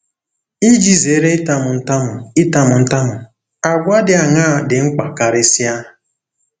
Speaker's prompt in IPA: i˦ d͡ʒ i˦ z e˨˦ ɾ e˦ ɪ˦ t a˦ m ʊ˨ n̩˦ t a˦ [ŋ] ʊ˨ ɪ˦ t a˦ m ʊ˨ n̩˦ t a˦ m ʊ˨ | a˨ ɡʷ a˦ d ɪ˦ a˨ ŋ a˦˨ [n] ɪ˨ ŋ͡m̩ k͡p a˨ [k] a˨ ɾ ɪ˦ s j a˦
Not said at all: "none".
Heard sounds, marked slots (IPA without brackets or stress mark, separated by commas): m, d, k